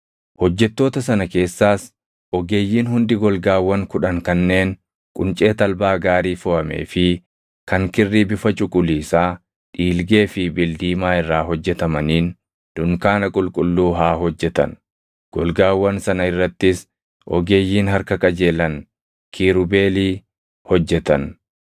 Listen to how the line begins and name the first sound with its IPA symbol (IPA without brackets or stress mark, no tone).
h